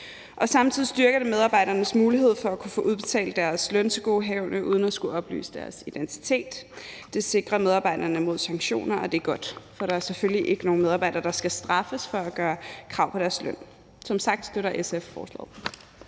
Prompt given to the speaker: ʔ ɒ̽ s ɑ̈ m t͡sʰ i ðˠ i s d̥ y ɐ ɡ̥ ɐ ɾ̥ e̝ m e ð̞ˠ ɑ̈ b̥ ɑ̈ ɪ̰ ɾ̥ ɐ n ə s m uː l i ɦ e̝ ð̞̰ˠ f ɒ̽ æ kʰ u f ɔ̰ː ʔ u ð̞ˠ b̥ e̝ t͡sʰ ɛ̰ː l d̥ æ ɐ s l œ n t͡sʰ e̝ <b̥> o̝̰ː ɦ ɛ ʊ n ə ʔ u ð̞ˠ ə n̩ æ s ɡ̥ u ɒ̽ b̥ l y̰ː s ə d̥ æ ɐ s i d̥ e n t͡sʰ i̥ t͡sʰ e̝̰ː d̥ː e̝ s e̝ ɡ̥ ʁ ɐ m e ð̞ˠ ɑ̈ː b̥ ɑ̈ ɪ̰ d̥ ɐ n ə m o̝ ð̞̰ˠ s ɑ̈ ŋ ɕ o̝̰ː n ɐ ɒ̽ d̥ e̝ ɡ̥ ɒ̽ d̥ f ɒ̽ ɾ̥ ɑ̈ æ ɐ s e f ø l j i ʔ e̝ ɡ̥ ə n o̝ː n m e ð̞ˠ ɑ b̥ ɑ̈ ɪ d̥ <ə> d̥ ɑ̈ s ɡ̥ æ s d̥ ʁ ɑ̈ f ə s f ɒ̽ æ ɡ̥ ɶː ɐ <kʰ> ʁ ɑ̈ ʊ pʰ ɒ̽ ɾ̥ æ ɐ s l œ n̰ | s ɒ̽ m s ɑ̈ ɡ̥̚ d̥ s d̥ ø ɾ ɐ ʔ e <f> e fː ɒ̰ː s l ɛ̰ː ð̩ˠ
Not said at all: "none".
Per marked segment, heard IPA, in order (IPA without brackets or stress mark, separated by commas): ɡ̥, ɐ, kʰ, s